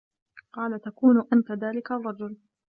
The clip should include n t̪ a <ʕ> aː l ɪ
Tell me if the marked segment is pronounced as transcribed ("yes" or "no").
no